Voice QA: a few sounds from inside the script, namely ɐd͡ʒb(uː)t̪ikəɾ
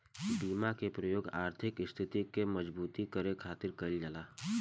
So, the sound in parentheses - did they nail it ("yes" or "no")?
yes